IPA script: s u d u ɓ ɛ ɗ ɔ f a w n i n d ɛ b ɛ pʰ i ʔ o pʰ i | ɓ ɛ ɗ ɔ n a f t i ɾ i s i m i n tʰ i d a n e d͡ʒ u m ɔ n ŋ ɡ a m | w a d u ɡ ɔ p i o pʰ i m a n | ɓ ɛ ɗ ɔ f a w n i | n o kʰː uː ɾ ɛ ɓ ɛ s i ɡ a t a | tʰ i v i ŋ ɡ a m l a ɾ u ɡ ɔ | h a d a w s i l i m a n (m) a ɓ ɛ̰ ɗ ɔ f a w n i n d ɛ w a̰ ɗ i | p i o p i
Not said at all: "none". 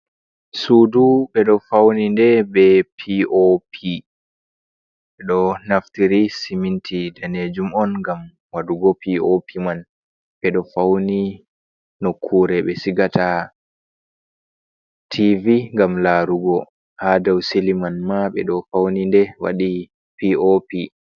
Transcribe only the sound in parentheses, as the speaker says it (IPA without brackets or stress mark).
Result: m